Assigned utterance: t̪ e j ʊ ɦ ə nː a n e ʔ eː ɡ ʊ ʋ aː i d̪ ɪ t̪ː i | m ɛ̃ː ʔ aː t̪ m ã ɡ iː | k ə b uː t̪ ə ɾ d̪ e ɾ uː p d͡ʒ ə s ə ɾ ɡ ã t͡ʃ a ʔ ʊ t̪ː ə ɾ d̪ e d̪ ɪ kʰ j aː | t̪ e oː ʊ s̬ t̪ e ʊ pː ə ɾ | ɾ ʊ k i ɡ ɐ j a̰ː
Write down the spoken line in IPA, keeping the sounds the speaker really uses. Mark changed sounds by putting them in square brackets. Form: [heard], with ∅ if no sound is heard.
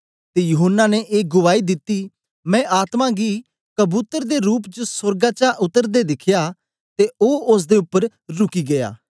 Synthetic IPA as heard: t̪ e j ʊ ɦ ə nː a n e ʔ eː ɡ ʊ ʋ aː i d̪ ɪ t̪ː i | m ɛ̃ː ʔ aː t̪ m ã ɡ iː | k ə b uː t̪ ə ɾ d̪ e ɾ uː p d͡ʒ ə s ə ɾ ɡ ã t͡ʃ a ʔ ʊ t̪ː ə ɾ d̪ e d̪ ɪ kʰ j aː | t̪ e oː ʊ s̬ [d̪] e ʊ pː ə ɾ | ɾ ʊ k i ɡ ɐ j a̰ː

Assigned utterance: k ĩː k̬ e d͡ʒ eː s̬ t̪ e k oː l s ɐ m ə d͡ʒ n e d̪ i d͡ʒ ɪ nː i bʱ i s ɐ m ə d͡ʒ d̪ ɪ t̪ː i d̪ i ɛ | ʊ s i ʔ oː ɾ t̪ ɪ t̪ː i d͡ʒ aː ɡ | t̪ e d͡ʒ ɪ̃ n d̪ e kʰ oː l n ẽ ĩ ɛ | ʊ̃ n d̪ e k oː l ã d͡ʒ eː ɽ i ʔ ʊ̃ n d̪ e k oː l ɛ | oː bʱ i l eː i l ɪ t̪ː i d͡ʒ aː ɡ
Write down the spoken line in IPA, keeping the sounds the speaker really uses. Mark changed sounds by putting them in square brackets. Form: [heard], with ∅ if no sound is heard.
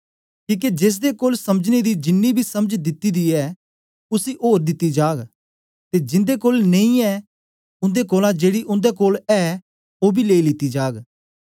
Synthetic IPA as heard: k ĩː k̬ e d͡ʒ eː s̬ [d̪] e k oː l s ɐ m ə d͡ʒ n e d̪ i d͡ʒ ɪ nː i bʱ i s ɐ m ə d͡ʒ d̪ ɪ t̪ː i d̪ i ɛ | ʊ s i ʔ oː ɾ [d̪] ɪ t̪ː i d͡ʒ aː ɡ | t̪ e d͡ʒ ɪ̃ n d̪ e [k] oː l n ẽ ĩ ɛ | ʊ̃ n d̪ e k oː l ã d͡ʒ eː ɽ i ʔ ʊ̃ n d̪ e k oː l ɛ | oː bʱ i l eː i l ɪ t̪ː i d͡ʒ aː ɡ

